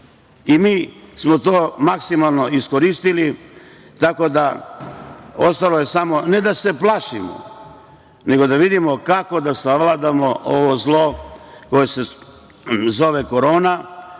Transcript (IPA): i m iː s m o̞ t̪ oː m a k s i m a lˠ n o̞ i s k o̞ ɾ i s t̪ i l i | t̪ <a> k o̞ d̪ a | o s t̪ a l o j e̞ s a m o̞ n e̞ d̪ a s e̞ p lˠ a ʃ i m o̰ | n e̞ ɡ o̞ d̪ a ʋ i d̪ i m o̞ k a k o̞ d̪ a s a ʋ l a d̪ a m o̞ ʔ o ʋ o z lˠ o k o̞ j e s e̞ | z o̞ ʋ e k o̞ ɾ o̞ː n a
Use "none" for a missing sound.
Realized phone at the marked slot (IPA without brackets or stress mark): a